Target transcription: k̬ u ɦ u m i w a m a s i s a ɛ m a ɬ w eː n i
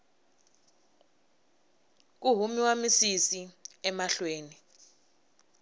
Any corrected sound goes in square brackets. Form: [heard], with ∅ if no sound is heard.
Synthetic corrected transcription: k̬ u ɦ u m i w a m [i] s i s [i] ɛ m a ɬ w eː n i